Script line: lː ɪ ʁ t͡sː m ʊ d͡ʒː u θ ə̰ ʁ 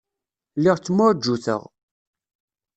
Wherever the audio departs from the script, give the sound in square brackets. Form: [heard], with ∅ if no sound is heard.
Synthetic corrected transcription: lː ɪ ʁ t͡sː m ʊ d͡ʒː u θ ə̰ ʁ